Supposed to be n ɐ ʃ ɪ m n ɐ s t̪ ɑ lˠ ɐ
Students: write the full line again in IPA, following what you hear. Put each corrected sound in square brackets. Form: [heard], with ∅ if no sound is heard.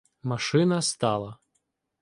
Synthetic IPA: [m] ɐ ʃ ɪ [∅] n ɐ s t̪ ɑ lˠ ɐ